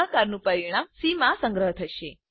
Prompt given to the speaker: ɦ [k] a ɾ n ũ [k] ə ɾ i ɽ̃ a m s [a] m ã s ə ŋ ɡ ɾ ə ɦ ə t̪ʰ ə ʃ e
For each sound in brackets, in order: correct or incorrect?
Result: correct, incorrect: p, incorrect: i

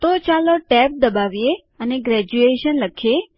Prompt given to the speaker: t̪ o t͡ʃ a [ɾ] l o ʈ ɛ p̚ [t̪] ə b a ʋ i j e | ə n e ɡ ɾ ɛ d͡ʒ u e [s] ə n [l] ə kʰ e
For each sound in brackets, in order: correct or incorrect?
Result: incorrect: none, incorrect: d̪, incorrect: ʃ, correct

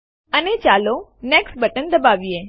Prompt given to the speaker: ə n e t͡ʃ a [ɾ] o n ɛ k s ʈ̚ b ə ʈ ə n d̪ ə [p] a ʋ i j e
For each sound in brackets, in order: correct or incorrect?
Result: incorrect: l, incorrect: b

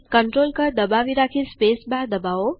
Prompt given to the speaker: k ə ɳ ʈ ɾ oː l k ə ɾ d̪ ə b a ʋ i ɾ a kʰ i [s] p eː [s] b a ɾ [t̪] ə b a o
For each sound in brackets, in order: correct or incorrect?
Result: correct, correct, incorrect: d̪

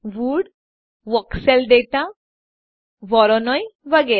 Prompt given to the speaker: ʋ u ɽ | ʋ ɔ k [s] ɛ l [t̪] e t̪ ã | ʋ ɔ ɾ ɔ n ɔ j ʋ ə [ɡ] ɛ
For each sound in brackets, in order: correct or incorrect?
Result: correct, incorrect: d̪, correct

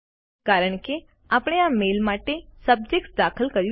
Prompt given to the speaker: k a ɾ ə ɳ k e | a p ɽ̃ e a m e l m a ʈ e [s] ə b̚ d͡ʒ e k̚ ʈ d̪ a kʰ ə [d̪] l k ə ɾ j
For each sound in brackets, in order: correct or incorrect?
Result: correct, incorrect: none

